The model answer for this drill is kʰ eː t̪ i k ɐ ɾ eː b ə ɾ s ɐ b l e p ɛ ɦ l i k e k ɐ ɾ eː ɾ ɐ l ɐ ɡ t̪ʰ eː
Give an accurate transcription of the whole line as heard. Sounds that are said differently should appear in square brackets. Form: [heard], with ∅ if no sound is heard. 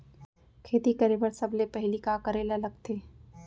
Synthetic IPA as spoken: kʰ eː t̪ i k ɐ ɾ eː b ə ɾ s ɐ b l e p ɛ ɦ l i k [a] k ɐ ɾ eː [l] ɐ l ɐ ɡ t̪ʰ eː